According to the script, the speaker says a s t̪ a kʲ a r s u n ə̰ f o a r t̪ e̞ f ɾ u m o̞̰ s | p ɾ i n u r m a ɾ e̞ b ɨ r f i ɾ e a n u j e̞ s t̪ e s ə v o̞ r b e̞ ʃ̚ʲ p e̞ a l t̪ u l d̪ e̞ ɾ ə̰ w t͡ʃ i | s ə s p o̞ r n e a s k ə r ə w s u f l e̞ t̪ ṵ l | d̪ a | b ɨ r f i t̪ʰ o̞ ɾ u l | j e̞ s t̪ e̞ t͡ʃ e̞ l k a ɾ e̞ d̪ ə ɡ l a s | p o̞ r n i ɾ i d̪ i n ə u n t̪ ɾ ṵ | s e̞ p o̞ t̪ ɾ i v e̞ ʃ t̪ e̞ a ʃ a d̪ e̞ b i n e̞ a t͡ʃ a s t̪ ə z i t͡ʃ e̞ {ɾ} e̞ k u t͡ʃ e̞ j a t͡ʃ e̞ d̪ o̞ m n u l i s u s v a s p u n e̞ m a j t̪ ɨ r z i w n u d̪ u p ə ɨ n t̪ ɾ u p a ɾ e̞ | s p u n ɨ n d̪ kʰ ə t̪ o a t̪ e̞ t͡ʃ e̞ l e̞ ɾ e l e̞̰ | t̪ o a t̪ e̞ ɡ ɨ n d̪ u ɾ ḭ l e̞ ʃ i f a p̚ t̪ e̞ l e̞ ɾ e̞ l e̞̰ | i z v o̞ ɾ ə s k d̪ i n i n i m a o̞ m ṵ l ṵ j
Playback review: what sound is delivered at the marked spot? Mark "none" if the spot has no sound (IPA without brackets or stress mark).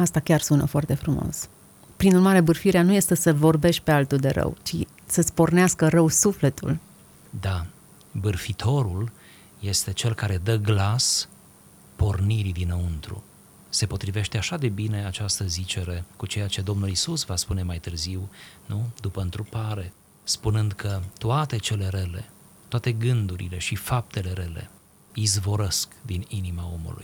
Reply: ɾ